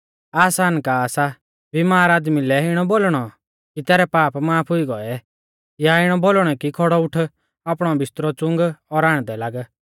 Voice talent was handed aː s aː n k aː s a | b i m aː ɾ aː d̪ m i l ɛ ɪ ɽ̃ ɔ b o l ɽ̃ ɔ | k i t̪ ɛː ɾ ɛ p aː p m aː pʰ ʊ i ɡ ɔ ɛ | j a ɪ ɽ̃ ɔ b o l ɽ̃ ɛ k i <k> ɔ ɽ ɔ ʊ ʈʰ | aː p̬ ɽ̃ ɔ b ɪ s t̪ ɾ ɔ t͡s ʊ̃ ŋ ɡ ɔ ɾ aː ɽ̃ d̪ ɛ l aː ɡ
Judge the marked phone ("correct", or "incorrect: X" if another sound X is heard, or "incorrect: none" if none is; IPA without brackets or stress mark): incorrect: kʰ